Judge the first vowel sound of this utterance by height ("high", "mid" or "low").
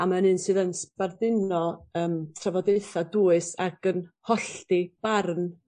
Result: low